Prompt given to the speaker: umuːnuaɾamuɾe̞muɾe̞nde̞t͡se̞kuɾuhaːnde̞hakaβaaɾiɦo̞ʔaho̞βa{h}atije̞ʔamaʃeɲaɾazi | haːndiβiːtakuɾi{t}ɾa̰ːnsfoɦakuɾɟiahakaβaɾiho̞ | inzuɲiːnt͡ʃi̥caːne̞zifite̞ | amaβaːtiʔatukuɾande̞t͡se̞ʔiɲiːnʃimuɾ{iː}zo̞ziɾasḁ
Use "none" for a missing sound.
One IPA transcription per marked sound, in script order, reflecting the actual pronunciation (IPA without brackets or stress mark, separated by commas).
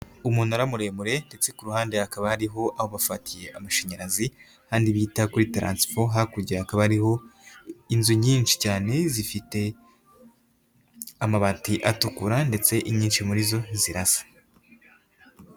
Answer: f, t, i